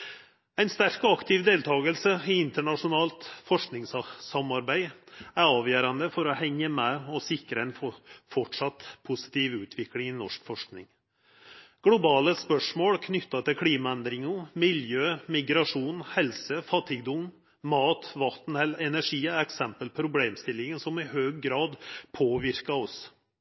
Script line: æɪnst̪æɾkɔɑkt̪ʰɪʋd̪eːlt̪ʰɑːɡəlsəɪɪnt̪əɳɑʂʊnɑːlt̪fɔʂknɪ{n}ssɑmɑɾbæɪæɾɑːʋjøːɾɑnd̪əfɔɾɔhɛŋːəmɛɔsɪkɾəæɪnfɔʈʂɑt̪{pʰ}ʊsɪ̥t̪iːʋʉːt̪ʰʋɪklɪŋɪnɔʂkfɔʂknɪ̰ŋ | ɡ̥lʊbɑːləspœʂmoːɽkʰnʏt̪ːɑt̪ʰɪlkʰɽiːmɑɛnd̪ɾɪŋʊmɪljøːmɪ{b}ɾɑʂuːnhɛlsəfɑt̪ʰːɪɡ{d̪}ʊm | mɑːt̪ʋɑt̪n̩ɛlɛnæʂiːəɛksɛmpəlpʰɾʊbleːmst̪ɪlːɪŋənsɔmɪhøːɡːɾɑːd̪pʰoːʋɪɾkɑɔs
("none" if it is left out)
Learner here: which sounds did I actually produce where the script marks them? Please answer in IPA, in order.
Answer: ŋ, pʰ, ɡ, d̪

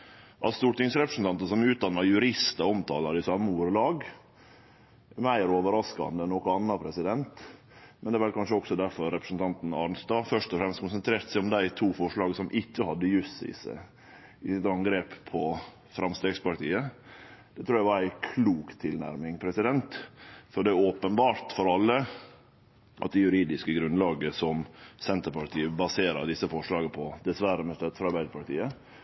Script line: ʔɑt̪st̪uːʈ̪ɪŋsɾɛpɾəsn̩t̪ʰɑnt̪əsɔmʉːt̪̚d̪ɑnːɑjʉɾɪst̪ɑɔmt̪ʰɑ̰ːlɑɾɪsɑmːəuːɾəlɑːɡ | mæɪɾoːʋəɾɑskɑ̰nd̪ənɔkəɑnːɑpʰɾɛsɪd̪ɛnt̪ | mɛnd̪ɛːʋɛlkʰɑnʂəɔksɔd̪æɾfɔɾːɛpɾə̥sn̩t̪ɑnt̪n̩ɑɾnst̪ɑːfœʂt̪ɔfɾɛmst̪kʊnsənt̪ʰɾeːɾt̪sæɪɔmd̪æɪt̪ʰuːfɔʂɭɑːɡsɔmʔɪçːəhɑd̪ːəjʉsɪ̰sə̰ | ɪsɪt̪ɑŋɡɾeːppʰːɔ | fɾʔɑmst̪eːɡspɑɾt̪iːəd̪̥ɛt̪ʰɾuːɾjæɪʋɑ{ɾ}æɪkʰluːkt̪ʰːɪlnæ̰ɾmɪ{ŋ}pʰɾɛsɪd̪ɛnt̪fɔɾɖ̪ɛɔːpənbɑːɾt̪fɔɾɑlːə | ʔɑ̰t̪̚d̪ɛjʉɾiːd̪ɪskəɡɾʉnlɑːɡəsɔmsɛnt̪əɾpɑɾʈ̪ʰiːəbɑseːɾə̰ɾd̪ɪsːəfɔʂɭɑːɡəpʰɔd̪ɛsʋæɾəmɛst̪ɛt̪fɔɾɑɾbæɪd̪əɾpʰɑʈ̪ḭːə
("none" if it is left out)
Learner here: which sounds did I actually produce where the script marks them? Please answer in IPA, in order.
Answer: ɾ, ŋ

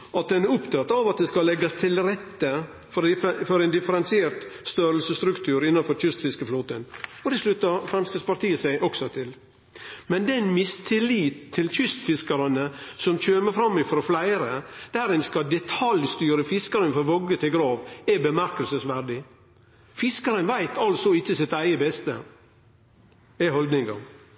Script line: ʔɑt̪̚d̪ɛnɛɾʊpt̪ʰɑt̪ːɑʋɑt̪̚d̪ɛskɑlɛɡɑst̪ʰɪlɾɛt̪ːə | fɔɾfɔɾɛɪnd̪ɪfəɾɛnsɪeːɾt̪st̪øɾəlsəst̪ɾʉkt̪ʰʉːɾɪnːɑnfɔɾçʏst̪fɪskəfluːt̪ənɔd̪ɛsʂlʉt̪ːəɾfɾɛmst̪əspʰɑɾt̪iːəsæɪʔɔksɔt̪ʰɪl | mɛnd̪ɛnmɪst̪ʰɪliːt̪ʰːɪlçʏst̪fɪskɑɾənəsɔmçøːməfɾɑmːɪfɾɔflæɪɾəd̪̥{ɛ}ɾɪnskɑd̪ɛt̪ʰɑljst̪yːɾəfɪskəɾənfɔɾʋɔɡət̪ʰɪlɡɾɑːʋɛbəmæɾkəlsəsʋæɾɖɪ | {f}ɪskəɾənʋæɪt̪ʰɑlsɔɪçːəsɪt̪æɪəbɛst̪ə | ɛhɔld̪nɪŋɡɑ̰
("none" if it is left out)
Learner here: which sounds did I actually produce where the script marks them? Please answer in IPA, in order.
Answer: æ, f

